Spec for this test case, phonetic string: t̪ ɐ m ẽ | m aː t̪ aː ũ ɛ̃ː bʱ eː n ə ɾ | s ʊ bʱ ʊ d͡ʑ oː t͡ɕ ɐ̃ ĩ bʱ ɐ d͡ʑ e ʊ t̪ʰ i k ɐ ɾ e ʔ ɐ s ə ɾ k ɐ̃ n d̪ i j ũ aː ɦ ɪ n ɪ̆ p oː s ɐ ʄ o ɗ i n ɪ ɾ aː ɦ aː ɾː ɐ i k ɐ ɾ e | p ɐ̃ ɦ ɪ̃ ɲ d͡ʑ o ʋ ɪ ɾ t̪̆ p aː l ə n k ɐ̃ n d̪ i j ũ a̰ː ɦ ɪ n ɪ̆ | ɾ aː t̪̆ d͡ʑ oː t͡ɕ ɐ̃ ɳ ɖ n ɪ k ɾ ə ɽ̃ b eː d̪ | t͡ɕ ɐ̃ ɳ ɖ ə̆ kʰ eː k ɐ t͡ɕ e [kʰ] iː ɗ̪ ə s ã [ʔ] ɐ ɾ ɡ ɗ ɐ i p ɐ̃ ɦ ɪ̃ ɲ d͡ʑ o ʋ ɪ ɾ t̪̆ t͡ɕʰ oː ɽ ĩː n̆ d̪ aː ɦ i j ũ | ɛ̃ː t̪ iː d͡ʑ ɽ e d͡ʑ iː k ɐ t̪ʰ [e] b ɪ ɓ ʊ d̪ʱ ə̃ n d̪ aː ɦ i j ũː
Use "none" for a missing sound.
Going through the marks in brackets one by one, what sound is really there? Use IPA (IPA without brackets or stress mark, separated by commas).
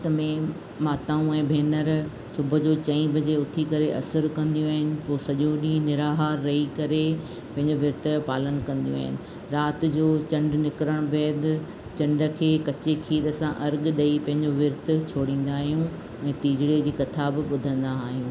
kʰ, ʔ, a